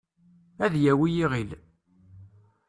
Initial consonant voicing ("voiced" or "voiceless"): voiced